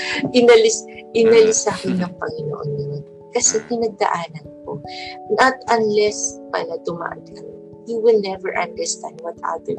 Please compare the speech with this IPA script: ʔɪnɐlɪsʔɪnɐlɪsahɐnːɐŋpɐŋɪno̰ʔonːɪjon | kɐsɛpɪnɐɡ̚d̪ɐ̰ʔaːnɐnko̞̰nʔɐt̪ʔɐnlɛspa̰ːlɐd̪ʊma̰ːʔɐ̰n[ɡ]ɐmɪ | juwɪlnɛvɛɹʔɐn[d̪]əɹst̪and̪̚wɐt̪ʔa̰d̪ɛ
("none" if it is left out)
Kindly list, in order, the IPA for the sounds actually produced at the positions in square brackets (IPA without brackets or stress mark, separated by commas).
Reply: k, d̪